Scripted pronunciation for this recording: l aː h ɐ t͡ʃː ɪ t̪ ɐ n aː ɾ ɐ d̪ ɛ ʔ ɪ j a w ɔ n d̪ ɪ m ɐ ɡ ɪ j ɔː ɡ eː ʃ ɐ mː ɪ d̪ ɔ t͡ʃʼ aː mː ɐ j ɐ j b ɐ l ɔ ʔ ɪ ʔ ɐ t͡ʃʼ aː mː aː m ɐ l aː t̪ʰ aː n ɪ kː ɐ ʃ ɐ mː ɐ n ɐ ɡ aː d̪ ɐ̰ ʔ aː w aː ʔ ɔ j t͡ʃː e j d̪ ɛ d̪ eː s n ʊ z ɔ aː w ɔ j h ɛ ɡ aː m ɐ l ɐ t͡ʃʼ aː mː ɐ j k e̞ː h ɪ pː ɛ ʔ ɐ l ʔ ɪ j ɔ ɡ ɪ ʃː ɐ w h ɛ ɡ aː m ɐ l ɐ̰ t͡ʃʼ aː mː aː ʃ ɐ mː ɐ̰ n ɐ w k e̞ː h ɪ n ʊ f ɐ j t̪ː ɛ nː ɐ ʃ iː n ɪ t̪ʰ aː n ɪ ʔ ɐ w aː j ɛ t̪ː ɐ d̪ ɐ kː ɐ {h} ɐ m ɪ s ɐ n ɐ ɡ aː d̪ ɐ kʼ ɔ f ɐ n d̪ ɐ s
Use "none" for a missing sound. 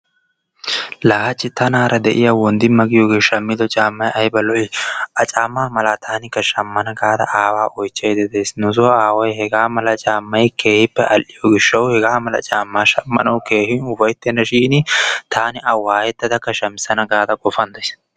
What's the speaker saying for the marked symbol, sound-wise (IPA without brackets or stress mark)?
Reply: ʃ